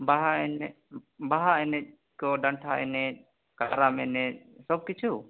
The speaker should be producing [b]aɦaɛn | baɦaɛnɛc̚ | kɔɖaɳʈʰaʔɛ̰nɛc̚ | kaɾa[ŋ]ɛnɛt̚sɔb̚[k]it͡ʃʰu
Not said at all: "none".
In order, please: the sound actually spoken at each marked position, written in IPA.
b, m, k

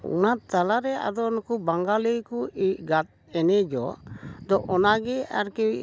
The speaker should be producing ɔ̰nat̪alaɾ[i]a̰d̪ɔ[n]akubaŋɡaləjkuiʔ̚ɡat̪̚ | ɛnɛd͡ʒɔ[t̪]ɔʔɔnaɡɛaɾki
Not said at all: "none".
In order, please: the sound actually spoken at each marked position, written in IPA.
ɛ, n, d̪

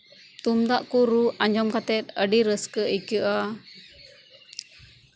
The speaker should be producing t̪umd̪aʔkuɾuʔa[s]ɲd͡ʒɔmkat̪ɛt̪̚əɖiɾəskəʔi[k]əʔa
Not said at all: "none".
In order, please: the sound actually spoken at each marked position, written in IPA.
none, k

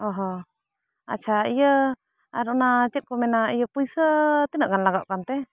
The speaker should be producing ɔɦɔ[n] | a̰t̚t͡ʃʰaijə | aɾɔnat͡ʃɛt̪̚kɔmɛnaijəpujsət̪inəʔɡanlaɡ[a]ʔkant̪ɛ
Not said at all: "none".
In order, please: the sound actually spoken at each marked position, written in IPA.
none, a

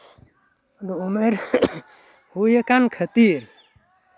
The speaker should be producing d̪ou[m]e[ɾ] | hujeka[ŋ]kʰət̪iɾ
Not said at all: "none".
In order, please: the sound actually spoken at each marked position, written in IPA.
m, ɾ, n

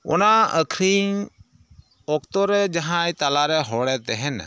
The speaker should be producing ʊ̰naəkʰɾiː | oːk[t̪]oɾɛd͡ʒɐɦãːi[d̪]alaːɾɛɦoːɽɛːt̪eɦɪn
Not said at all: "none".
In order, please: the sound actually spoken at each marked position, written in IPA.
t̪, t̪

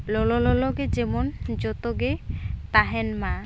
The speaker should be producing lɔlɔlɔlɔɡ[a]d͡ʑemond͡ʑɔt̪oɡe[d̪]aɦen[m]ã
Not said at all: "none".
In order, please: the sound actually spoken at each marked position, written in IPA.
e, t̪, m

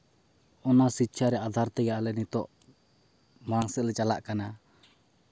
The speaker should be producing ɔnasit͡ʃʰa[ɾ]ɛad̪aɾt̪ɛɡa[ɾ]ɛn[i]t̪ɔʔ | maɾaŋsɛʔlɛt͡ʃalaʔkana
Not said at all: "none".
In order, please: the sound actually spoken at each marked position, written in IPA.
ɾ, l, i

